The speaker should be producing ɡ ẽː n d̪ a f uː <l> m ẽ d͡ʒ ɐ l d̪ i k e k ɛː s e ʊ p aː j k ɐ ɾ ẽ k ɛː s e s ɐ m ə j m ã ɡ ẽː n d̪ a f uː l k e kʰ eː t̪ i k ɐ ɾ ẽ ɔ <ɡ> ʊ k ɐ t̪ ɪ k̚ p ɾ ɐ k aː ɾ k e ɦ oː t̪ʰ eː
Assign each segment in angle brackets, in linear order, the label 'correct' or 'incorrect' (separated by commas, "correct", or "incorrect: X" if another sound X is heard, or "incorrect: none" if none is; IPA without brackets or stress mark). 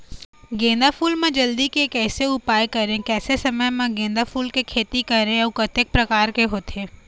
correct, incorrect: none